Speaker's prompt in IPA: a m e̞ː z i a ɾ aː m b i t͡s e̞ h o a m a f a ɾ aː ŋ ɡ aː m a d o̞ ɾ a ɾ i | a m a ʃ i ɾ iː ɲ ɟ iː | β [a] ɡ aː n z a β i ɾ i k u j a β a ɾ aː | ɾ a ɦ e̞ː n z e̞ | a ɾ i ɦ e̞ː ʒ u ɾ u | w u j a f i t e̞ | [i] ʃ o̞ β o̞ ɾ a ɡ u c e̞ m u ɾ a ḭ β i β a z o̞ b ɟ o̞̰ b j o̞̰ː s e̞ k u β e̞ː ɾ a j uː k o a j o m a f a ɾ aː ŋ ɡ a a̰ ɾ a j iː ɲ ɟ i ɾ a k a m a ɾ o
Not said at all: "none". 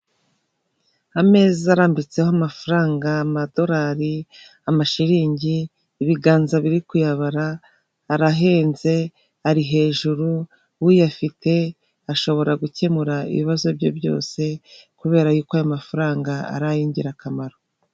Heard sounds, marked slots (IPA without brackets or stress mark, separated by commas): i, a